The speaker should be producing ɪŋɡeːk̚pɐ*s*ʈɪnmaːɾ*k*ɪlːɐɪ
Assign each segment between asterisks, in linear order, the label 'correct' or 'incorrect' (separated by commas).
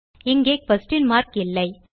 correct, correct